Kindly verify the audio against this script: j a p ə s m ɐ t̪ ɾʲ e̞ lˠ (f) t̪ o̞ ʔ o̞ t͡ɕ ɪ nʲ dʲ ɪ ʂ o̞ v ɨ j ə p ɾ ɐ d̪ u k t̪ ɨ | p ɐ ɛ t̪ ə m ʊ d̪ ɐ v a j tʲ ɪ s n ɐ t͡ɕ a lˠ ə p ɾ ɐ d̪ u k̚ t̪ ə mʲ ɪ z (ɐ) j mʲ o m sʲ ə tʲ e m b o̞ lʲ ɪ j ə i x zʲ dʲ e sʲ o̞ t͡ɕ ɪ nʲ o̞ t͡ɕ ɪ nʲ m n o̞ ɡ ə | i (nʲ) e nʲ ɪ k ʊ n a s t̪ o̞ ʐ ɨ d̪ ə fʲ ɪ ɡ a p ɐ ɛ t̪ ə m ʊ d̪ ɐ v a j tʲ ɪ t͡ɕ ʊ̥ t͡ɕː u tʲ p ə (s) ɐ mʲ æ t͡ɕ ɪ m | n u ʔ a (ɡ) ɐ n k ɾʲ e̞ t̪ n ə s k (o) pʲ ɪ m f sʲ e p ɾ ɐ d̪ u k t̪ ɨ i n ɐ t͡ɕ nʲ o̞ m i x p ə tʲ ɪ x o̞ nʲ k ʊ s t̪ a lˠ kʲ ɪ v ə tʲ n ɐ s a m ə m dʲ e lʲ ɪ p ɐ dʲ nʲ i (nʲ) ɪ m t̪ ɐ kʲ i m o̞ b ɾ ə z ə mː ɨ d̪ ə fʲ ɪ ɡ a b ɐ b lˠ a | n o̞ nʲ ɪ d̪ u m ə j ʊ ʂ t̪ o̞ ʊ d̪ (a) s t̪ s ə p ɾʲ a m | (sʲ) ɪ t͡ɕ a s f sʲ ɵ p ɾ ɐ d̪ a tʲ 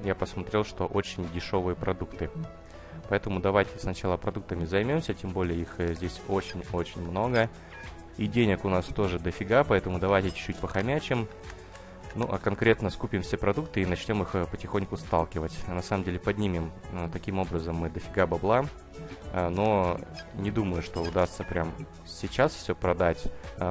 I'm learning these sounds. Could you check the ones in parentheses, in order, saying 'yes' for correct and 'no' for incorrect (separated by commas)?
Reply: no, yes, no, no, no, no, no, yes, yes